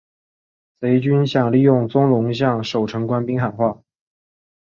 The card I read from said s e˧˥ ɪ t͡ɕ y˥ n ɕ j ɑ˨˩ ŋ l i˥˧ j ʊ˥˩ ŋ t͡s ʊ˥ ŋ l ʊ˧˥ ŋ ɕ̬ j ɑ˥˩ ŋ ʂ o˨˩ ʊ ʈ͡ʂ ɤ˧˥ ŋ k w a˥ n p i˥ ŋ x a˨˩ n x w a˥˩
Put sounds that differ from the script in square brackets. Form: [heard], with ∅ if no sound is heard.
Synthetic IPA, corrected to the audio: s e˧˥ ɪ t͡ɕ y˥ n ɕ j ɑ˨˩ ŋ l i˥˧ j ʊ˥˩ ŋ t͡s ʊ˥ ŋ l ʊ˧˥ ŋ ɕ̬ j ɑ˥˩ ŋ ʂ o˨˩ ʊ [ʈ͡ʂʰ] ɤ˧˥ ŋ k w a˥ n p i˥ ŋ x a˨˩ n x w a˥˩